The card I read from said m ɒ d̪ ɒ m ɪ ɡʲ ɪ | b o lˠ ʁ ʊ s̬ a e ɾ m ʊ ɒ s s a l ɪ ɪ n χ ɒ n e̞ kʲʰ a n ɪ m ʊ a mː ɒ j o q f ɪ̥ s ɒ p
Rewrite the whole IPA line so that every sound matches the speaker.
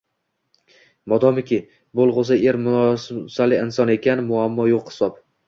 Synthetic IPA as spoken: m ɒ d̪ ɒ m ɪ kʲ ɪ | b o lˠ ʁ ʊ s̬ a e ɾ m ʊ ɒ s s a l ɪ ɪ n s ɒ n e̞ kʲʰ a n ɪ m ʊ a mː ɒ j o q h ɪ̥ s ɒ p